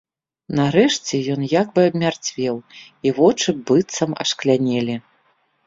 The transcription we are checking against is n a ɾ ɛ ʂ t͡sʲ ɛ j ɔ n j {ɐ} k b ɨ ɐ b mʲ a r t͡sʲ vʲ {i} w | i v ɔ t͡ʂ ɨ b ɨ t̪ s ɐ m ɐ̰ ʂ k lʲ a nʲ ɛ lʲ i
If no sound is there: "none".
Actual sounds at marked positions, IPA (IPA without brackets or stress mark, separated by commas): a, ɛ